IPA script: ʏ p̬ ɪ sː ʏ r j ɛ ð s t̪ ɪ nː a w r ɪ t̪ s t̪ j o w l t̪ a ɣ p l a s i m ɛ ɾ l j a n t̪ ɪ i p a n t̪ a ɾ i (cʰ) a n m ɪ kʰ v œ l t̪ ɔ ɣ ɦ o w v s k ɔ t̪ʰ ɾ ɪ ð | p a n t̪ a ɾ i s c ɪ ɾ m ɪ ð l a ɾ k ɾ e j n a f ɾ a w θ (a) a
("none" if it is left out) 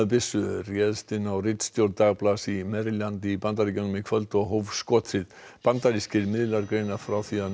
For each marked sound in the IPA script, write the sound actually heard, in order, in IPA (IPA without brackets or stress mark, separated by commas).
c, i